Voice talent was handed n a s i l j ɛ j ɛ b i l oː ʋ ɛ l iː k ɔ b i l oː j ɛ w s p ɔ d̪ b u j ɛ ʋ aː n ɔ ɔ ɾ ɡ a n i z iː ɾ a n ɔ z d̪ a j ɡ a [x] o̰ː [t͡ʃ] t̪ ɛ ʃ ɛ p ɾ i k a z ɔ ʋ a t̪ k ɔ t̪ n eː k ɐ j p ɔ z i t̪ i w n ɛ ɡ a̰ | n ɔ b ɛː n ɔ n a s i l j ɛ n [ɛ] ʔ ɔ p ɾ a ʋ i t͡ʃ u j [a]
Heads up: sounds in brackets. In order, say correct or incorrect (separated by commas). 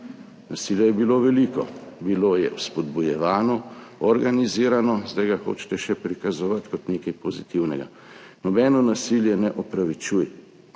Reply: correct, correct, correct, incorrect